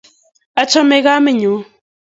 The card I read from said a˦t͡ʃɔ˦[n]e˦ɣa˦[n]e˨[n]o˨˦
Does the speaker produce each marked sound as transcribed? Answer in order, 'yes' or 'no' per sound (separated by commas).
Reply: no, no, no